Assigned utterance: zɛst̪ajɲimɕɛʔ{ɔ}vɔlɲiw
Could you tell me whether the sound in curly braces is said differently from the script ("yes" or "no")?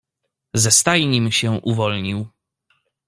yes